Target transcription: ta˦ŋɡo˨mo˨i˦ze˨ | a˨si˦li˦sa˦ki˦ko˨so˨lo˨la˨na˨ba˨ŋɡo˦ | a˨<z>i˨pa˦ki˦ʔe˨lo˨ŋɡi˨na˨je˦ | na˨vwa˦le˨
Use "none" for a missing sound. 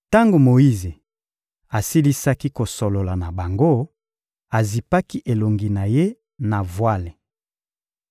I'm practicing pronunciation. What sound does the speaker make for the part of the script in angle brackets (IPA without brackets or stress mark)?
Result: z